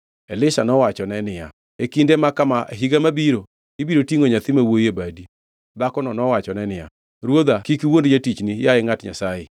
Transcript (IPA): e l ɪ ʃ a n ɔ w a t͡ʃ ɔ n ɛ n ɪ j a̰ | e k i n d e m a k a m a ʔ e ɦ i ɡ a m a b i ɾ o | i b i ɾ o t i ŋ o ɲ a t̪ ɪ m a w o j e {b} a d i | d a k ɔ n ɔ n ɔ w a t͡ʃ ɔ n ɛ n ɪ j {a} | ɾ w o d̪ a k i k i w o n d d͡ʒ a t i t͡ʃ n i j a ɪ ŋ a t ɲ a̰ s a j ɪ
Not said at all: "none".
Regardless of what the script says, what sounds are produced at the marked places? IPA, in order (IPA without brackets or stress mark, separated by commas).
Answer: b, a